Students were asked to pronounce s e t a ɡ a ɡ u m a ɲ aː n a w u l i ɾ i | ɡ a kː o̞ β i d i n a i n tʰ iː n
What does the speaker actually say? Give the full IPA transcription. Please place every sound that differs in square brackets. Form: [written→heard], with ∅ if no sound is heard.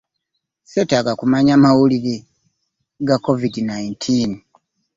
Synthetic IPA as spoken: s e t a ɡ a [ɡ→k] u m a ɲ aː [n→m] a w u l i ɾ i | ɡ a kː o̞ [β→v] i d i n a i n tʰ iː n

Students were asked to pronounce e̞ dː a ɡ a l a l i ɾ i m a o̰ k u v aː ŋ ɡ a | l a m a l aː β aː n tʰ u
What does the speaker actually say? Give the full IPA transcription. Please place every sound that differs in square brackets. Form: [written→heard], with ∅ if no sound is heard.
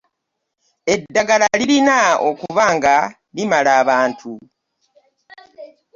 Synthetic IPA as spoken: e̞ dː a ɡ a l a l i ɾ i [m→n] a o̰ k u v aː ŋ ɡ a | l [a→i] m a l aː β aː n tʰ u

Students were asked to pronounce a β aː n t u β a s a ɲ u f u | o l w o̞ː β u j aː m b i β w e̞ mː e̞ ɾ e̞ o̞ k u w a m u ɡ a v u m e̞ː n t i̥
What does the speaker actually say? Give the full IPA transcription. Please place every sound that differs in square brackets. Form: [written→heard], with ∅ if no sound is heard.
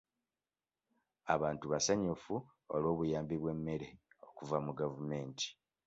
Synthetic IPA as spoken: a β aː n t u β a s a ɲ u f u | o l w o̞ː β u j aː m b i β w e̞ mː e̞ ɾ e̞ o̞ k u [w→v] a m u ɡ a v u m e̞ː n t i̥

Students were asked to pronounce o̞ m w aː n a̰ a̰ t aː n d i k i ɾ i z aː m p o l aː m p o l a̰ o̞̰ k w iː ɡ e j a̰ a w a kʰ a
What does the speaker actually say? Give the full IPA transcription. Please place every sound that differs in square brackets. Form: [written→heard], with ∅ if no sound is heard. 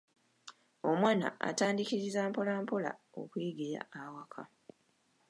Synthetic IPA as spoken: o̞ m w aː n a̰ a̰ t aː n d i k i ɾ i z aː m p o l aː m p o l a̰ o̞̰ k w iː ɡ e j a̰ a w a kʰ a

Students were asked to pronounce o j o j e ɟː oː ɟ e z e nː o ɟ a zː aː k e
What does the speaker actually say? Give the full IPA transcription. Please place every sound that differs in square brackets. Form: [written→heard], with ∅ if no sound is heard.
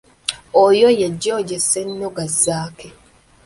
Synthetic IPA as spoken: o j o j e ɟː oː ɟ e [z→s] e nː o [ɟ→ɡ] a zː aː k e

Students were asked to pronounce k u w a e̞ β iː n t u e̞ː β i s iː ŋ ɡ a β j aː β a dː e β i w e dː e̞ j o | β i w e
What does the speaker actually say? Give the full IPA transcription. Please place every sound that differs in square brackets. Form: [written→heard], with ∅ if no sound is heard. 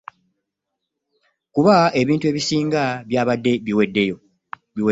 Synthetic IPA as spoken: k u [w→β] a e̞ β iː n t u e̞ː β i s iː ŋ ɡ a β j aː β a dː e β i w e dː e̞ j o | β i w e

